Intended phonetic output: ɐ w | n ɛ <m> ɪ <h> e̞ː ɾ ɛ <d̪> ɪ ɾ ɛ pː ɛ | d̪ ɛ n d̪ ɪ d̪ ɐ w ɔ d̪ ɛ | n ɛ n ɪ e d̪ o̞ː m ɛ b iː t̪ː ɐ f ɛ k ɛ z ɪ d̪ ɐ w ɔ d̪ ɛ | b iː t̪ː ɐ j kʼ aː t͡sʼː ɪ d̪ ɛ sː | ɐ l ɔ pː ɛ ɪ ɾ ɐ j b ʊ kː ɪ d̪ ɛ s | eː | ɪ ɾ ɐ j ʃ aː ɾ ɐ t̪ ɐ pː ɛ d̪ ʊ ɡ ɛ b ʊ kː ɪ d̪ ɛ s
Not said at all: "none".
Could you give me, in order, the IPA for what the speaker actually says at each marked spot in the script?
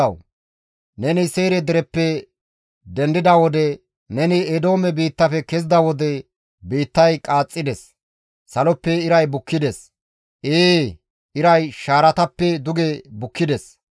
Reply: n, s, d̪

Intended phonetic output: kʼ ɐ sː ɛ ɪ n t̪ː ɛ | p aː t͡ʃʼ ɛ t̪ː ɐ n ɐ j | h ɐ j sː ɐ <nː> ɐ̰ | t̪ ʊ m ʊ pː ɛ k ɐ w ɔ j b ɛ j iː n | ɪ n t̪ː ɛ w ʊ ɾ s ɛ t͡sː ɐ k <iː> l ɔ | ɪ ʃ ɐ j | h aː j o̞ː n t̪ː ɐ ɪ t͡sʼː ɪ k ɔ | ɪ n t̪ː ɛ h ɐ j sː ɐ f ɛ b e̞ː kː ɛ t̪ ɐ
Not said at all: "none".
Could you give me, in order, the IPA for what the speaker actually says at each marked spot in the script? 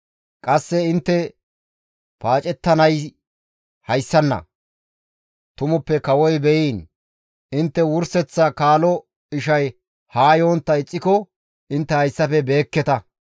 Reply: nː, aː

